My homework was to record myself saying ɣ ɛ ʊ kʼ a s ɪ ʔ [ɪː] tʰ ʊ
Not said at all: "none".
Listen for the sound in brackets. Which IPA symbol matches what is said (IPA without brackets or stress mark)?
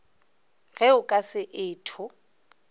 ɪː